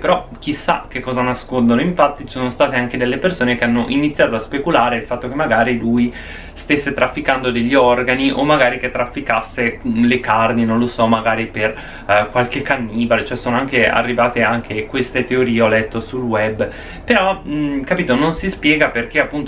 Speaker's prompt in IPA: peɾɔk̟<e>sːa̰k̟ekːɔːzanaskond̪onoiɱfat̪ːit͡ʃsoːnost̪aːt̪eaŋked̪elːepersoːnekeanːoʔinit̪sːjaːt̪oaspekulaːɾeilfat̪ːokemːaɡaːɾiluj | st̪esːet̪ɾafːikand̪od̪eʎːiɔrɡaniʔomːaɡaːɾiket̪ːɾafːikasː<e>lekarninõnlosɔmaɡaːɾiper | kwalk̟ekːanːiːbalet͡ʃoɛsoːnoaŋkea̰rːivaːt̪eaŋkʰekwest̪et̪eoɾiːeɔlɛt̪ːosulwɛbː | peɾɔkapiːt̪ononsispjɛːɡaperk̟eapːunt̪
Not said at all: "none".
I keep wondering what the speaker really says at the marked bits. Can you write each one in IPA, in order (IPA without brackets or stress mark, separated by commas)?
i, e